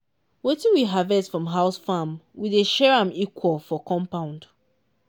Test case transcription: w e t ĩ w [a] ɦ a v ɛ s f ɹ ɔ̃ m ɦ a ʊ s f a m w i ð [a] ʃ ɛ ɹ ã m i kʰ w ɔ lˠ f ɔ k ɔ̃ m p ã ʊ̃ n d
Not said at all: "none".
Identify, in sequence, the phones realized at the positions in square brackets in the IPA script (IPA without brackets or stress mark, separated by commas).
i, e